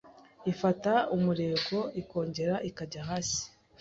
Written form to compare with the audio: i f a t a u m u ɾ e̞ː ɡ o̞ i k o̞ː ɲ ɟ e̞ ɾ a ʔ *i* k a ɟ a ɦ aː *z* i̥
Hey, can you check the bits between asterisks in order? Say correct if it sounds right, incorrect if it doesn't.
correct, incorrect: s

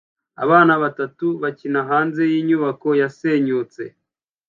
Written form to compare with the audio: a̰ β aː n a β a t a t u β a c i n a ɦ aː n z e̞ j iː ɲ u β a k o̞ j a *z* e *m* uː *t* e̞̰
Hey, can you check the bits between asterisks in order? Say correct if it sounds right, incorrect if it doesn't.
incorrect: s, incorrect: ɲ, incorrect: t͡s

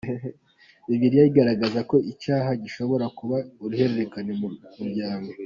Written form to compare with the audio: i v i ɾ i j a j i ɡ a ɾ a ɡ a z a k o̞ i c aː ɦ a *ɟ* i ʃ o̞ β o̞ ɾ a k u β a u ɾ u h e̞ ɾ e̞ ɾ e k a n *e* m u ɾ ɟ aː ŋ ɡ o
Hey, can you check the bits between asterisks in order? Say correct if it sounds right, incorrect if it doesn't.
correct, correct

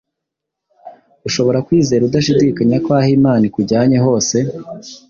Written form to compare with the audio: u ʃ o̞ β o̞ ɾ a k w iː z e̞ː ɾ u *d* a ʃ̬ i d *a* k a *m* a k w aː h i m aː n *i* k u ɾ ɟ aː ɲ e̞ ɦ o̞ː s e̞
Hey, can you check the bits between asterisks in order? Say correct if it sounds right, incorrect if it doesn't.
correct, incorrect: i, incorrect: ɲ, correct

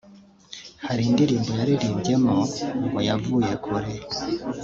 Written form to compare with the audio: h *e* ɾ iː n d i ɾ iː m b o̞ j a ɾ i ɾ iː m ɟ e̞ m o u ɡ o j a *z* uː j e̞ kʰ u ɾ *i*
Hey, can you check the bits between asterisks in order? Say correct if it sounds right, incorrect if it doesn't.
incorrect: a, incorrect: v, incorrect: e

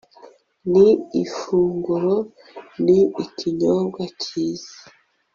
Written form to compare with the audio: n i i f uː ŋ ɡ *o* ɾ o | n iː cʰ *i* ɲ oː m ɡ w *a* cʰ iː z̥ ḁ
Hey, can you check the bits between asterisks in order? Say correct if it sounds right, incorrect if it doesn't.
incorrect: u, correct, correct

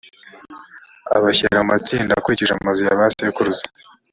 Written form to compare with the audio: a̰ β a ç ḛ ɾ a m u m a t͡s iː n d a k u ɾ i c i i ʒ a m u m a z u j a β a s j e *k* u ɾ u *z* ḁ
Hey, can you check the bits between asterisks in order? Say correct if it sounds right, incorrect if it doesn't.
correct, correct

